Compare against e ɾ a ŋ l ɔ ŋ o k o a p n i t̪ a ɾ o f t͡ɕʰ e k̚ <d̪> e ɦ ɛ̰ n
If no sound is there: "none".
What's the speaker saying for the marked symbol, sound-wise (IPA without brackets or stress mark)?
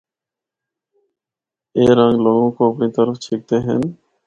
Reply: t̪